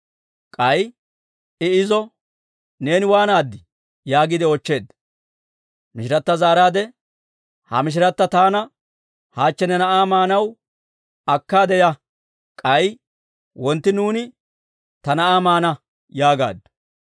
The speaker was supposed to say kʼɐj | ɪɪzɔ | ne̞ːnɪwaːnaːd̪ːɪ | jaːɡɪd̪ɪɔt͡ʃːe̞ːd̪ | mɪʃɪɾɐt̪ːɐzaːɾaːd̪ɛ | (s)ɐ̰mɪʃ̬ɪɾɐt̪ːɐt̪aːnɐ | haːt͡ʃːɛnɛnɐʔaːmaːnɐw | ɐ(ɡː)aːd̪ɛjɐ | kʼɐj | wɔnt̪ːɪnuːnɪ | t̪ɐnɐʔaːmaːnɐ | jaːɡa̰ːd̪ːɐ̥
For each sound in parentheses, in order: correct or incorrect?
incorrect: h, incorrect: kː

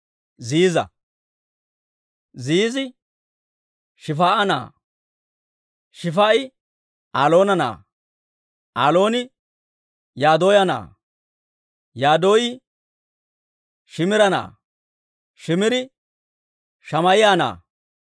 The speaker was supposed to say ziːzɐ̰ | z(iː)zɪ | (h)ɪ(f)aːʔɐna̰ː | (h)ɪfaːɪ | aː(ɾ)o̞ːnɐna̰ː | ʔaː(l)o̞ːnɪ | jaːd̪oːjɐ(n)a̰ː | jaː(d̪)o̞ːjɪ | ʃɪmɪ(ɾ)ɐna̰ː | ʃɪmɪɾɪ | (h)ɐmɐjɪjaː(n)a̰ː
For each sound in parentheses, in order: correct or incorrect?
correct, incorrect: ʃ, correct, incorrect: ʃ, incorrect: l, correct, correct, correct, correct, incorrect: ʃ, correct

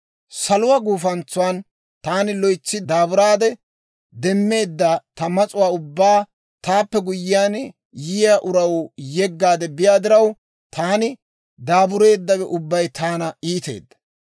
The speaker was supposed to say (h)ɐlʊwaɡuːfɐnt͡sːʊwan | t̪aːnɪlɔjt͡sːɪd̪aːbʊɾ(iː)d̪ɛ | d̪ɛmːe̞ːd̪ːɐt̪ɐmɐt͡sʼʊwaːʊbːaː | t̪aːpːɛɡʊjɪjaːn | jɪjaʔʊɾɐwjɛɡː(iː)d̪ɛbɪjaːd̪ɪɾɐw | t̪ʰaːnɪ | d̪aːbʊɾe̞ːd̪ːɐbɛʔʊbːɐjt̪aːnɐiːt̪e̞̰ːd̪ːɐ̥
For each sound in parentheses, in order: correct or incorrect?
incorrect: s, incorrect: aː, incorrect: aː

